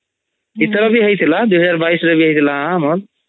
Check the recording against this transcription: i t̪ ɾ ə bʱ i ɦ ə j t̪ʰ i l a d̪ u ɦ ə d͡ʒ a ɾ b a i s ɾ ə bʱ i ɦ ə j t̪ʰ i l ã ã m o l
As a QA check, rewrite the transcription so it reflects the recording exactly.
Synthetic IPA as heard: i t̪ ɾ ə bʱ i ɦ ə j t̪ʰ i l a d̪ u ɦ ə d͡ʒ a ɾ b a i s ɾ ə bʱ i ɦ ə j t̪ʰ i l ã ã m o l